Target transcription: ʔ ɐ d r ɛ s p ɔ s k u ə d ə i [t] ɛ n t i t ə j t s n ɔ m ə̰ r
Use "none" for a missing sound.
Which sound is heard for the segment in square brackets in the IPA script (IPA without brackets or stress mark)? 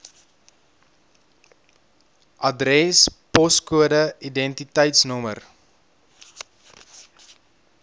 d